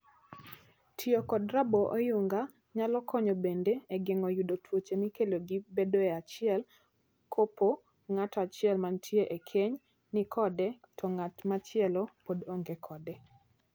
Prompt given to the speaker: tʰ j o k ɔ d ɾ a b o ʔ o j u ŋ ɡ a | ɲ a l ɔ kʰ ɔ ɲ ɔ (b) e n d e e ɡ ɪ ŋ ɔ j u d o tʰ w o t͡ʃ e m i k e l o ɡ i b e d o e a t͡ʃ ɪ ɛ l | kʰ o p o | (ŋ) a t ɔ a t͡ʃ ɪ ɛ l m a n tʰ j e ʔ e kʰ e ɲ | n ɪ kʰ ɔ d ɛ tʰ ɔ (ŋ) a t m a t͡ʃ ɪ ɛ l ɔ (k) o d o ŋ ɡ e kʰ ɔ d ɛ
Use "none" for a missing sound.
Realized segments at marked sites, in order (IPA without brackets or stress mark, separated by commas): b, ŋ, ŋ, p